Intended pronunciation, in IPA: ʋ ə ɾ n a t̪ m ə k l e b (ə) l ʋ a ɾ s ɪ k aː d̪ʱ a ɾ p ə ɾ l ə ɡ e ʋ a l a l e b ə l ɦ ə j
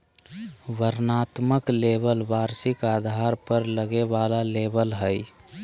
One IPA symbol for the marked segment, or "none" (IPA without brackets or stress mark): ə